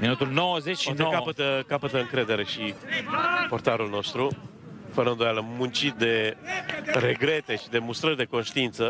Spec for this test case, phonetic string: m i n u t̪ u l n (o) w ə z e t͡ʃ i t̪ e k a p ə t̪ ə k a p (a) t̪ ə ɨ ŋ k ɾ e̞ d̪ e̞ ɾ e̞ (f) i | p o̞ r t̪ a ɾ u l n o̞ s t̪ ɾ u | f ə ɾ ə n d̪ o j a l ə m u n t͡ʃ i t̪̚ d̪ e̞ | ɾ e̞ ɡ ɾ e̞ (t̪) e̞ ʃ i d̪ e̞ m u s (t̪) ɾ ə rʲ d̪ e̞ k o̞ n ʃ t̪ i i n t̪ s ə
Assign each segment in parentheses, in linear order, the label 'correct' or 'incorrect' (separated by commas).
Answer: correct, incorrect, incorrect, correct, correct